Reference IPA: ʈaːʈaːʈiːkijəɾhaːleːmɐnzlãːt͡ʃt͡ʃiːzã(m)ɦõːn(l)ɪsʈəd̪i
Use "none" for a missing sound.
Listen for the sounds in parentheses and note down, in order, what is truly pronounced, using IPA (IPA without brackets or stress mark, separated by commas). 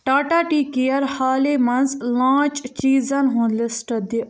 n, l